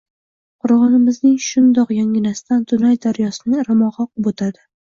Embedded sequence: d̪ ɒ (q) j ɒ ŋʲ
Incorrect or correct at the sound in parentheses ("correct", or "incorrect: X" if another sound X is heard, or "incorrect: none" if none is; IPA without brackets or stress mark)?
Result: correct